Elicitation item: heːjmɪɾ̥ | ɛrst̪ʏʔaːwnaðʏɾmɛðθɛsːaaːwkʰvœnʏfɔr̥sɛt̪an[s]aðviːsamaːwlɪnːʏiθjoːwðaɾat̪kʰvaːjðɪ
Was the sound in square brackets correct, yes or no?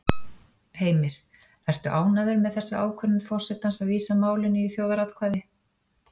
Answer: yes